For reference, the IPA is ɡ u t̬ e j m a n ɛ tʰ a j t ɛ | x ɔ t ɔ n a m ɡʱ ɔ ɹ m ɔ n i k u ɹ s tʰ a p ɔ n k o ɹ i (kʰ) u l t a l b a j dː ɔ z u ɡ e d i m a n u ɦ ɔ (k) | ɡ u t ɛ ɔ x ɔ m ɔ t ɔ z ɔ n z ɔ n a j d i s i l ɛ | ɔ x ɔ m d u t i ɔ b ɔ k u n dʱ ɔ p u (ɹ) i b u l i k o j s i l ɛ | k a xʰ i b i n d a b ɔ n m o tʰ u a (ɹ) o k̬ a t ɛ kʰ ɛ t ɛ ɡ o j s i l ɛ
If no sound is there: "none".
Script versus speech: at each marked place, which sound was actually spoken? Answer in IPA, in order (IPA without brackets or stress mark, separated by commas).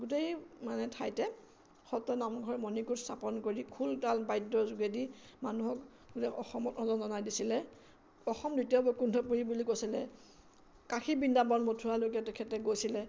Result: kʰ, k, ɹ, l